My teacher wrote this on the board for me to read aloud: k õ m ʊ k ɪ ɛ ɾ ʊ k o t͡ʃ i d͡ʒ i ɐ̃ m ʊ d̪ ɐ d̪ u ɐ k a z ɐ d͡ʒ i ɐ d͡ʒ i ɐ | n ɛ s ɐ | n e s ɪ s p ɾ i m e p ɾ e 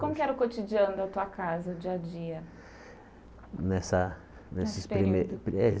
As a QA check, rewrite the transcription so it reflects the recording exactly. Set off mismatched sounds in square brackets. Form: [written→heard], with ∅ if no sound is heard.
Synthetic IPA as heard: k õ m ʊ k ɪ ɛ ɾ ʊ k o t͡ʃ i d͡ʒ i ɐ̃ [m→n] ʊ d̪ ɐ [d̪→t̪] u ɐ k a z ɐ d͡ʒ i ɐ d͡ʒ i ɐ | n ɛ s ɐ | n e s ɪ s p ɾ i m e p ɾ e